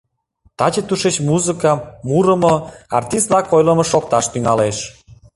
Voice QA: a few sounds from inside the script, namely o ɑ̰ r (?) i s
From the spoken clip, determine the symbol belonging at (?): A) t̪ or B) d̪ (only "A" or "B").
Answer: A